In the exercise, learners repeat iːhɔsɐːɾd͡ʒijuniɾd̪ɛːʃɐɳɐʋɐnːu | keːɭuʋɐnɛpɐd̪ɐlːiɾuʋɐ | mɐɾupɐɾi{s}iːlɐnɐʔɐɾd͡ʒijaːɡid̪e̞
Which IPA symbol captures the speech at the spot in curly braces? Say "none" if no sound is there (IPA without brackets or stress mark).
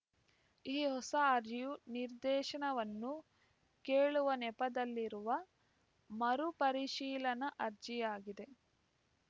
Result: ʃ